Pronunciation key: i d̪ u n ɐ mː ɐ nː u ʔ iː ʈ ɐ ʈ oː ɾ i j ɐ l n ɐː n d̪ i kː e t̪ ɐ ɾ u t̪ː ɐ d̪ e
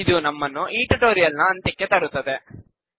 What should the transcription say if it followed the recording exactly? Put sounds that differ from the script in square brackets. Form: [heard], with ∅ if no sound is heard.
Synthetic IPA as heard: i d̪ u n ɐ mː ɐ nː u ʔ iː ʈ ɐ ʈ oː ɾ i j ɐ l n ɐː n [t̪] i kː e t̪ ɐ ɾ u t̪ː ɐ d̪ e